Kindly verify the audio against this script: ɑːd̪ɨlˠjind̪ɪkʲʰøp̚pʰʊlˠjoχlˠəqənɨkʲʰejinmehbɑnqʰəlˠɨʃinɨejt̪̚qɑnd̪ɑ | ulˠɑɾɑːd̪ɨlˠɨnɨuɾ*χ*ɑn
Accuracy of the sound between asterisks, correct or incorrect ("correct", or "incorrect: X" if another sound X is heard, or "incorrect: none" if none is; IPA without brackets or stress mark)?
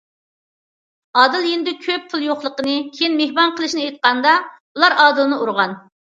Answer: incorrect: ʁ